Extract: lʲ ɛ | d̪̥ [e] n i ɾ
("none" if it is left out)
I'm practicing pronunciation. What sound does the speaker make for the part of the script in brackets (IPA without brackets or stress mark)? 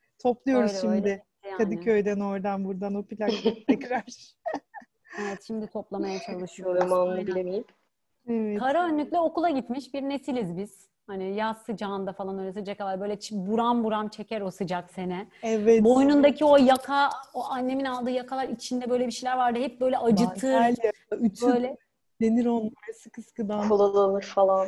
e